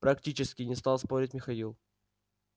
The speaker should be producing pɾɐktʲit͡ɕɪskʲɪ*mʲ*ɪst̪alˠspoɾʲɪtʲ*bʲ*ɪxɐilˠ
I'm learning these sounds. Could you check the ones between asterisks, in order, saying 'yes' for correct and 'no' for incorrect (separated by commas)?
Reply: no, no